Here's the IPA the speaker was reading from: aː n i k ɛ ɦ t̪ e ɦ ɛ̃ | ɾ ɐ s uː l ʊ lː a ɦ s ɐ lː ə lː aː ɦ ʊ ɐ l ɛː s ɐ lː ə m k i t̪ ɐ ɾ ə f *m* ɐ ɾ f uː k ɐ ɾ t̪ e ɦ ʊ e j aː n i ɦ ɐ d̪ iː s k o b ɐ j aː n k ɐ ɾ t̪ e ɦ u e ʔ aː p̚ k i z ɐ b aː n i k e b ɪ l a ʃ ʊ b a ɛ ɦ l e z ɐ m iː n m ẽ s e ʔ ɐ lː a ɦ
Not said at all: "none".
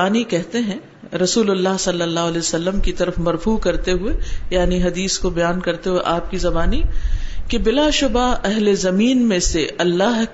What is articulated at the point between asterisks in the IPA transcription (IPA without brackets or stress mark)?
m